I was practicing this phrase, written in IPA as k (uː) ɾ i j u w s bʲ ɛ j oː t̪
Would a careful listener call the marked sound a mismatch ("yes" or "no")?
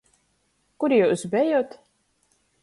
yes